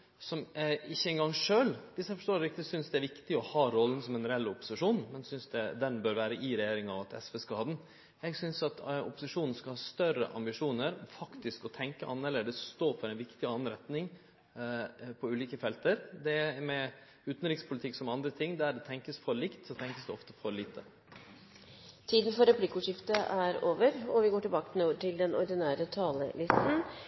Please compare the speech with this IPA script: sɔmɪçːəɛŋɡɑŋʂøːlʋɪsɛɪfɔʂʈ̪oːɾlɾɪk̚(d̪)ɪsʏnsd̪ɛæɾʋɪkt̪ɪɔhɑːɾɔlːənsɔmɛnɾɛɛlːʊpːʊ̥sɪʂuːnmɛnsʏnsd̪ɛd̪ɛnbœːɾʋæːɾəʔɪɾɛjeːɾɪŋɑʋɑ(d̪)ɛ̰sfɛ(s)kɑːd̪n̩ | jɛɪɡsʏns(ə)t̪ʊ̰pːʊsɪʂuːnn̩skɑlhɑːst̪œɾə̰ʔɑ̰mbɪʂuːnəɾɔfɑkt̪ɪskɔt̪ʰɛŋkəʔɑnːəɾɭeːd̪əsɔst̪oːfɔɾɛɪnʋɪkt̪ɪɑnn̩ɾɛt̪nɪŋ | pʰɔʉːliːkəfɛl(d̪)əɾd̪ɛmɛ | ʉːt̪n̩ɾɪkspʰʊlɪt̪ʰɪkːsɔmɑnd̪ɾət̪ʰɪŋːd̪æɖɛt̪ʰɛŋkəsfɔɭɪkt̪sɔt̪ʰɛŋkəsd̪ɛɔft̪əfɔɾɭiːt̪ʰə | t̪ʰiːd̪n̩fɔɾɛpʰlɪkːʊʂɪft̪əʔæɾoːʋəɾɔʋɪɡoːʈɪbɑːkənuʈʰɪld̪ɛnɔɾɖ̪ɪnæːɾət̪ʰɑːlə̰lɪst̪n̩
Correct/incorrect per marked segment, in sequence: incorrect, incorrect, correct, incorrect, incorrect

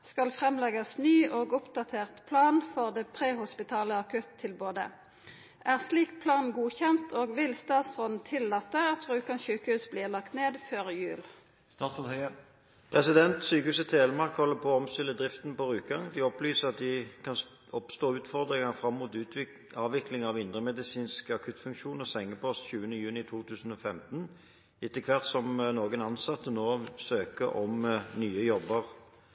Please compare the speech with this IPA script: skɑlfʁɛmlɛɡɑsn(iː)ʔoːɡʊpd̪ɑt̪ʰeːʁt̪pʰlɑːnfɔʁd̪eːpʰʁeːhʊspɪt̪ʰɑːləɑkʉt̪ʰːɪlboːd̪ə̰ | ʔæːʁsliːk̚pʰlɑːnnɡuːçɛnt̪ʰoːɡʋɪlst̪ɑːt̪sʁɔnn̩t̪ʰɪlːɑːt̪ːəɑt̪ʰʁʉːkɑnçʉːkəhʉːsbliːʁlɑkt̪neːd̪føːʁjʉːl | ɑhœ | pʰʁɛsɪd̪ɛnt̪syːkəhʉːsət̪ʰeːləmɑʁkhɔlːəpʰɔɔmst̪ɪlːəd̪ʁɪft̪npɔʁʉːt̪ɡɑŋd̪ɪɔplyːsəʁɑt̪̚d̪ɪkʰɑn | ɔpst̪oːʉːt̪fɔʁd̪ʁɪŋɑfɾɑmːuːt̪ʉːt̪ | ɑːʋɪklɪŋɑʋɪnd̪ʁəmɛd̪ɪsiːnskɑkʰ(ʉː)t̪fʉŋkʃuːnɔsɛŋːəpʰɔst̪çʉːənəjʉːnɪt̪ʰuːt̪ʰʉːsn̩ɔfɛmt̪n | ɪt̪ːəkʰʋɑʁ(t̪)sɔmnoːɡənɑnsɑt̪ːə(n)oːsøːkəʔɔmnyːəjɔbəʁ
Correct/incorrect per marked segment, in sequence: incorrect, incorrect, correct, correct

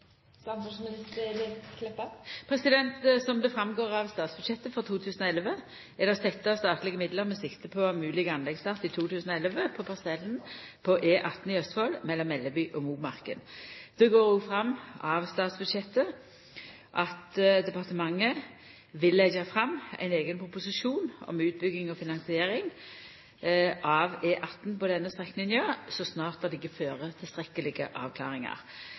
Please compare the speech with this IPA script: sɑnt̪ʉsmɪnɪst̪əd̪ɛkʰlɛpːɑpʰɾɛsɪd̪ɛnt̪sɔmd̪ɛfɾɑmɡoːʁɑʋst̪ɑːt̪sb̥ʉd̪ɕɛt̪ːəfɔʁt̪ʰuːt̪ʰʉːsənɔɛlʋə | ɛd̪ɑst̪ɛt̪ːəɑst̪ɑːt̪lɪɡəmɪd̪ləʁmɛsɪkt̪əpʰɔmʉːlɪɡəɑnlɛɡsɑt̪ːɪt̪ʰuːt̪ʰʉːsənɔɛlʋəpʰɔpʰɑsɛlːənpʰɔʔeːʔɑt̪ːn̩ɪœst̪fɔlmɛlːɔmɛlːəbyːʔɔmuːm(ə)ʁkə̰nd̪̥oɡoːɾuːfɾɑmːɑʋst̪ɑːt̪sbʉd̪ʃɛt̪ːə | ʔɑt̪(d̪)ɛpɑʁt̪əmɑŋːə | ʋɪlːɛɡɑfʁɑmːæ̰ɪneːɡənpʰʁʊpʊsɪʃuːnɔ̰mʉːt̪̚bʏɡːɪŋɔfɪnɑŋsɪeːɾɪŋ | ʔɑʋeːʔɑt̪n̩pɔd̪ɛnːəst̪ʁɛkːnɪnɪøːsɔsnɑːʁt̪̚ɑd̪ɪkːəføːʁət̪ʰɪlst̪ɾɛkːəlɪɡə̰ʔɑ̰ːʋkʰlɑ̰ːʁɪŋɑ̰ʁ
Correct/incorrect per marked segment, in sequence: incorrect, correct

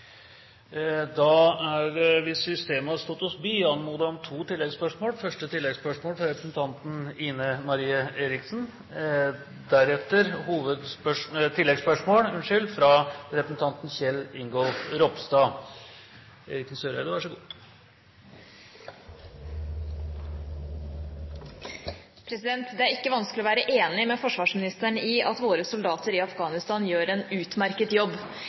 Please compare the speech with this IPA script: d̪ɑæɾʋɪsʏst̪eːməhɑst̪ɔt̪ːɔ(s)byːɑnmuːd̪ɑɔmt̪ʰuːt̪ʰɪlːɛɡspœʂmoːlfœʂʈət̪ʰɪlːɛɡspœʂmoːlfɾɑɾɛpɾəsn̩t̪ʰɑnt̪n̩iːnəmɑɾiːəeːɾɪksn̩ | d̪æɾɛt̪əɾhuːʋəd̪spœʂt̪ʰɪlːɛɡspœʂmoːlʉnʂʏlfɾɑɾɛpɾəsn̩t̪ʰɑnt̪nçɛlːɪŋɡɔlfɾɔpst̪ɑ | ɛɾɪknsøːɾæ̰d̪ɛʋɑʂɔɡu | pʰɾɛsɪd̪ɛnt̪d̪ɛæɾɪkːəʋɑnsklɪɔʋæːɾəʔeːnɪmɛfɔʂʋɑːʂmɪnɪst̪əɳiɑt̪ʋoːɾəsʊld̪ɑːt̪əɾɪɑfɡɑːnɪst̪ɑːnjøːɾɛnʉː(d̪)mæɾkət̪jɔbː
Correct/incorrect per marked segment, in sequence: correct, incorrect

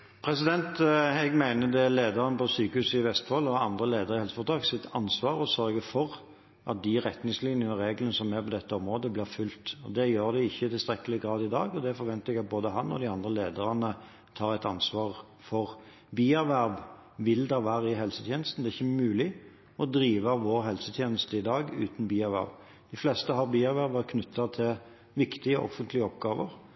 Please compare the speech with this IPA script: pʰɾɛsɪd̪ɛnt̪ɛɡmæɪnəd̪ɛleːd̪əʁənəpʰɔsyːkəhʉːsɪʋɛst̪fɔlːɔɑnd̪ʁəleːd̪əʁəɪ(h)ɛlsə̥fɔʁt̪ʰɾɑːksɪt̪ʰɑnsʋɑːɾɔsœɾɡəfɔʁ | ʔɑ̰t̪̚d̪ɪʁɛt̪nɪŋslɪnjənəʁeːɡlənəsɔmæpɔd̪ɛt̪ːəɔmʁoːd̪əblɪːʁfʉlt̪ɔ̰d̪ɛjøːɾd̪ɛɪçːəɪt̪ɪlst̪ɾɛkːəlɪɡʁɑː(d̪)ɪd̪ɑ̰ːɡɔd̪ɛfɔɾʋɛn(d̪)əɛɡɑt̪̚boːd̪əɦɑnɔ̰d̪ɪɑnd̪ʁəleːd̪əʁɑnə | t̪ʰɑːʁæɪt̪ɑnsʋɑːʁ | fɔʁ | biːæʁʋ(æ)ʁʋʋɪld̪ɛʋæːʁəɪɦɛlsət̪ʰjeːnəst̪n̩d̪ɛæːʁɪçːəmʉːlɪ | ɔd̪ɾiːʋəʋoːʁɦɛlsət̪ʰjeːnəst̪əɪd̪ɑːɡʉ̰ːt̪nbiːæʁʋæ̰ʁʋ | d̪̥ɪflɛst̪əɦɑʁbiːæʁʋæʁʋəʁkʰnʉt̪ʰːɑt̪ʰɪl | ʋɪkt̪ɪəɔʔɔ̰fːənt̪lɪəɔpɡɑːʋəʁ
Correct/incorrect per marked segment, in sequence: correct, correct, incorrect, correct

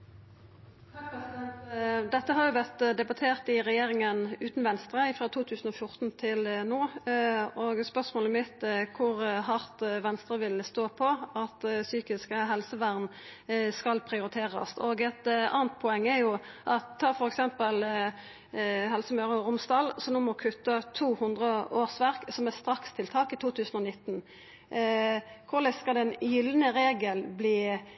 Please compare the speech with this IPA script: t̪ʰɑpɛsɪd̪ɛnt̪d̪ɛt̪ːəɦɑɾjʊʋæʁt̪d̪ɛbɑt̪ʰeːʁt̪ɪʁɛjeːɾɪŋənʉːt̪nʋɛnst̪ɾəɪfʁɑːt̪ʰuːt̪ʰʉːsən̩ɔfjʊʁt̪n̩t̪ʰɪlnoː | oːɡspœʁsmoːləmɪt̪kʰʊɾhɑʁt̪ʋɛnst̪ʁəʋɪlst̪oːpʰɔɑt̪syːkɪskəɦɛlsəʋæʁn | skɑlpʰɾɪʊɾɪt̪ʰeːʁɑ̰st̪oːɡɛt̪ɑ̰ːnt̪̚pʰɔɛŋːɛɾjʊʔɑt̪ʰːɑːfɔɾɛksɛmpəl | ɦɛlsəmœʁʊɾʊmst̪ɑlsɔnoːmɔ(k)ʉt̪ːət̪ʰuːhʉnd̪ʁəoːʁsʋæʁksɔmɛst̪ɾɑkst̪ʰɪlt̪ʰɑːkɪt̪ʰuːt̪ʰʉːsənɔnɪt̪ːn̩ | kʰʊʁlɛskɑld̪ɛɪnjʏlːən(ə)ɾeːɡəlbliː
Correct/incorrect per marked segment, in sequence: incorrect, correct

